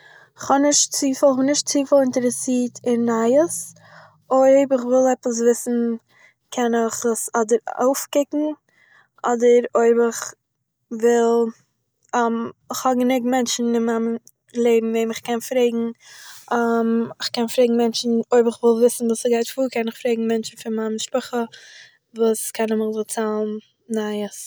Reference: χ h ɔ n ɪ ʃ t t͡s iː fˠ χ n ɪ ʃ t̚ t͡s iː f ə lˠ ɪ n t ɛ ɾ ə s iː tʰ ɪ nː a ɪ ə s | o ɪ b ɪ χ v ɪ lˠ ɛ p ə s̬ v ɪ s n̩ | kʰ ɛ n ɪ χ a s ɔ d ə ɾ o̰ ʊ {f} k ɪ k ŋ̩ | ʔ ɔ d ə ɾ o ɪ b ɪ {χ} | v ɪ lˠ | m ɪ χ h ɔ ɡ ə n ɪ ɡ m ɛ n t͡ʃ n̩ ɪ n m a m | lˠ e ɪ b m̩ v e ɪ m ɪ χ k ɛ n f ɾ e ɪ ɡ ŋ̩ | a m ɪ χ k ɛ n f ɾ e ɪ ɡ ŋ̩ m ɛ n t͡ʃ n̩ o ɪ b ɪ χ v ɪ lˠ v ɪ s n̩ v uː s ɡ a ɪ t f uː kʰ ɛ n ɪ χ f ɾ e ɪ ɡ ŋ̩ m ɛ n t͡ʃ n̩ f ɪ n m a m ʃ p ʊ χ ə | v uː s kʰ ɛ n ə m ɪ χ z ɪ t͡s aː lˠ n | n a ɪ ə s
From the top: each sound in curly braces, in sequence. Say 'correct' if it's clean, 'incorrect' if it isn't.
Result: correct, correct

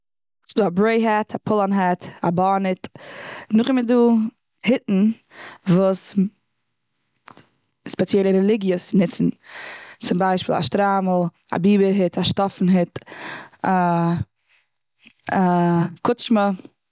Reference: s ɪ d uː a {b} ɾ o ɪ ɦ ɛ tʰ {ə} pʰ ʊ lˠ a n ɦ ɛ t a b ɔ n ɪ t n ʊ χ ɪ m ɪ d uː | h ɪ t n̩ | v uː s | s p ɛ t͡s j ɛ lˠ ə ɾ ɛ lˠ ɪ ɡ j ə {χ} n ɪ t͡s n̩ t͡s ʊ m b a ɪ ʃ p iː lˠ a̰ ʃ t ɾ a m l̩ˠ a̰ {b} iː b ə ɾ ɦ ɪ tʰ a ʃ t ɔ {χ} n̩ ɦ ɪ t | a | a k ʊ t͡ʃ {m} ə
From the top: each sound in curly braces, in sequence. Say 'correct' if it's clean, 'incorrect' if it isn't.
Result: correct, incorrect: a, incorrect: s, correct, incorrect: f, correct

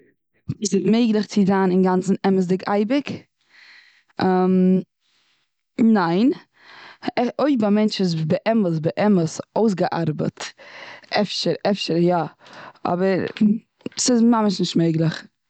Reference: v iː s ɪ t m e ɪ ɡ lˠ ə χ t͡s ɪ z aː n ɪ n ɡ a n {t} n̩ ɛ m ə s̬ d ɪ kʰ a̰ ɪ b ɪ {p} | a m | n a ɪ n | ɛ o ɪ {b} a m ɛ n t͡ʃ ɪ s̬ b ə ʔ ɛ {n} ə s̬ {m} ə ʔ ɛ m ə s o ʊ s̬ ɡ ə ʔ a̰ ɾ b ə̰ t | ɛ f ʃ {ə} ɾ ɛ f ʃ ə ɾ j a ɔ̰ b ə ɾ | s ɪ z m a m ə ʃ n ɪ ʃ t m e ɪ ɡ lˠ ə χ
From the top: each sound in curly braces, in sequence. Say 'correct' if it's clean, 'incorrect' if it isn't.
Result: incorrect: t͡s, incorrect: k, correct, incorrect: m, incorrect: b, correct

